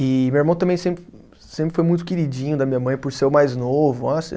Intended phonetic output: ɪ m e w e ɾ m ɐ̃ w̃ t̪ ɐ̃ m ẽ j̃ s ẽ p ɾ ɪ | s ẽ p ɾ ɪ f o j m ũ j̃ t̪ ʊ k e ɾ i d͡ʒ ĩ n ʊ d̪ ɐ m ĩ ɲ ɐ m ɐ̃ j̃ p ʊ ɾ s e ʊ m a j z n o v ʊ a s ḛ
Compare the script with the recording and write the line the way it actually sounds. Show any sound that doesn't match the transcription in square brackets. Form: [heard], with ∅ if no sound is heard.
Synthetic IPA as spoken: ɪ m e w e ɾ m ɐ̃ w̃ t̪ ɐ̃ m ẽ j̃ s ẽ p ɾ ɪ | s ẽ p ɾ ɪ f o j m ũ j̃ t̪ ʊ k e ɾ i d͡ʒ ĩ [ɲ] ʊ d̪ ɐ m ĩ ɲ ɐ m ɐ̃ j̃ p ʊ ɾ s e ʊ m a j z n o v ʊ a s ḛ

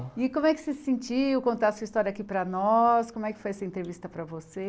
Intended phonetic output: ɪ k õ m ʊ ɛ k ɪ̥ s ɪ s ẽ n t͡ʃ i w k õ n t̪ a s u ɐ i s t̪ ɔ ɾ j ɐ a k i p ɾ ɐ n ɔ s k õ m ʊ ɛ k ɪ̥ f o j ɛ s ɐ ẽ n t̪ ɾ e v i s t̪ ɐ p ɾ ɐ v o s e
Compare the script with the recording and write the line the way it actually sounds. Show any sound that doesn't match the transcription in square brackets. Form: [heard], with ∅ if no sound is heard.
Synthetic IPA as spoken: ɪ k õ m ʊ ɛ k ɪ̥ s ɪ s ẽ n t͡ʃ i w k õ n t̪ a s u ɐ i s t̪ ɔ ɾ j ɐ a k i p ɾ ɐ n ɔ s k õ m ʊ ɛ k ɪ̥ f o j ɛ s ɐ ẽ n t̪ ɾ e v i s t̪ ɐ p ɾ ɐ v o s e

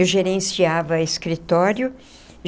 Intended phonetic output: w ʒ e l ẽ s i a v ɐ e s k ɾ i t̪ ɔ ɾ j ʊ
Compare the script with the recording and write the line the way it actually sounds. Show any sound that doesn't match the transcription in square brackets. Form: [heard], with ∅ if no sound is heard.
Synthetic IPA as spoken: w ʒ e [ɾ] ẽ s i a v ɐ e s k ɾ i t̪ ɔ ɾ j ʊ

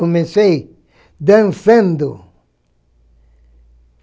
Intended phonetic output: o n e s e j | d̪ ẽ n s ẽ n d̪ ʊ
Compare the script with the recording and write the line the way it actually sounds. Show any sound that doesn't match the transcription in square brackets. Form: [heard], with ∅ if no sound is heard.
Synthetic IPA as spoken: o [m] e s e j | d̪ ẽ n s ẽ n d̪ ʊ

